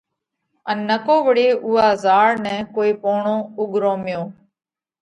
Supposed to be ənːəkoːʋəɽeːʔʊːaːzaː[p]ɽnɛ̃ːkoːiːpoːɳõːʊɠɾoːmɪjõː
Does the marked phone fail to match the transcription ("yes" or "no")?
yes